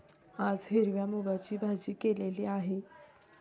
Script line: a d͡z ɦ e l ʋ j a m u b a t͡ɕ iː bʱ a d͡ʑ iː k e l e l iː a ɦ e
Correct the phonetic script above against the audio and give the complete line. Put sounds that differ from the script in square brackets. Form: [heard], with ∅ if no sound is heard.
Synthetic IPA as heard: a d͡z ɦ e [ɾ] ʋ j a m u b a t͡ɕ iː bʱ a d͡ʑ iː k e l e l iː a ɦ e